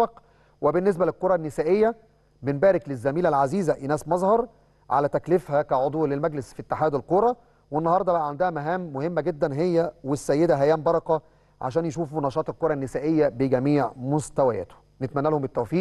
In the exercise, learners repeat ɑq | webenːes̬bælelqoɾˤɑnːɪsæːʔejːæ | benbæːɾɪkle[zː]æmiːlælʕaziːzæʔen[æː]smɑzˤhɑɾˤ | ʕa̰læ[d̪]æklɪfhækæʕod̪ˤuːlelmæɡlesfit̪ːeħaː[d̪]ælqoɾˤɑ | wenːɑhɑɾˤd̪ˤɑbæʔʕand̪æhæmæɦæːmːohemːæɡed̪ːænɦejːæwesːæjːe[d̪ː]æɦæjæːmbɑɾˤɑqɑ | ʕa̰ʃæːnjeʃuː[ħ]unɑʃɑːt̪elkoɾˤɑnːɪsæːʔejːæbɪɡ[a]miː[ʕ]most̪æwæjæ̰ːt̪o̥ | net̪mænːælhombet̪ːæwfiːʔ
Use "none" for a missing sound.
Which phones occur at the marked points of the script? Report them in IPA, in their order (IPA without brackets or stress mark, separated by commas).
zː, æː, t̪, d̪, d̪, f, æ, ʕ